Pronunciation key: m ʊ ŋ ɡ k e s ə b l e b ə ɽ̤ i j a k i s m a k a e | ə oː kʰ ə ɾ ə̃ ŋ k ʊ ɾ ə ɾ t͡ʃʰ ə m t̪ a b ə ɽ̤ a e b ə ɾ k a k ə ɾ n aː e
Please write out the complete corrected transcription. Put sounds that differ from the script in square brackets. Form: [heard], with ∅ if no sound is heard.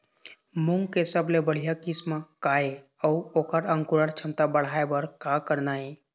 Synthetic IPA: m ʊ ŋ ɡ k e s ə b l e b ə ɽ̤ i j a k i s m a k a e | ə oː [k] ə ɾ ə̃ ŋ k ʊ ɾ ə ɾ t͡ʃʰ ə m t̪ a b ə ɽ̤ a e b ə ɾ k a k ə ɾ n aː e